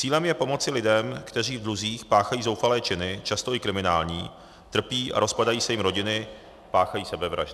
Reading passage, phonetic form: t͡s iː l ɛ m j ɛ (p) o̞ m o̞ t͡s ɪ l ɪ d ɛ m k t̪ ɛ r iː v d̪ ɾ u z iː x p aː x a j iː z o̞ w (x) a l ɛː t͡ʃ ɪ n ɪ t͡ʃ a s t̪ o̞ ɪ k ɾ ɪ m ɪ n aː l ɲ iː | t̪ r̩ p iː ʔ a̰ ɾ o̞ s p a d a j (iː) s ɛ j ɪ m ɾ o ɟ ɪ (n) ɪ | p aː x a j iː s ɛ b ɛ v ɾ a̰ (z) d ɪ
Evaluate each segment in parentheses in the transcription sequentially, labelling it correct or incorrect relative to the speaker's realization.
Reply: correct, incorrect, correct, correct, incorrect

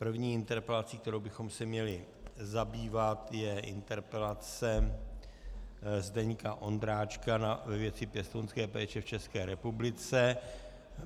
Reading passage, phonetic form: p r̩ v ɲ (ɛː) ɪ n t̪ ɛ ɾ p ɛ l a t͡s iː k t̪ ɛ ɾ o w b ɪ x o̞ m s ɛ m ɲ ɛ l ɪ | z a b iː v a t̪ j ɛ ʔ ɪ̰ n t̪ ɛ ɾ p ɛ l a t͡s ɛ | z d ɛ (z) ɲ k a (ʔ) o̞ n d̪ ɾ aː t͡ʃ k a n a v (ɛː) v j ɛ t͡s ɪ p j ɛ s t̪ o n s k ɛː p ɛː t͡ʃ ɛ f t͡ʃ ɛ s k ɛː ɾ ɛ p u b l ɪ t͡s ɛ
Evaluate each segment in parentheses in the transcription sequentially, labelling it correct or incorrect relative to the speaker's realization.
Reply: incorrect, incorrect, correct, incorrect

